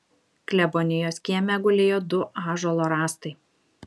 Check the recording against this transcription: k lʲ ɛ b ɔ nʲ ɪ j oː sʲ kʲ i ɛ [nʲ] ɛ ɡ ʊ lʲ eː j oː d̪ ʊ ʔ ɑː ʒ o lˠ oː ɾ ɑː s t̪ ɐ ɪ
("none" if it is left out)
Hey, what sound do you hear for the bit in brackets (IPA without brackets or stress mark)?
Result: mʲ